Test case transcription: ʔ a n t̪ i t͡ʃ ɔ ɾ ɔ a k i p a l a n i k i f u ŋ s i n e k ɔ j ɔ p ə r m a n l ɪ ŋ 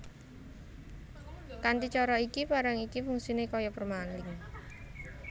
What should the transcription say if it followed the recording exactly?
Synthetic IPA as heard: k a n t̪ i t͡ʃ ɔ ɾ ɔ i k i p a ɾ a ŋ i k i f u ŋ s i n e k ɔ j ɔ p ə r m a n l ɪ ŋ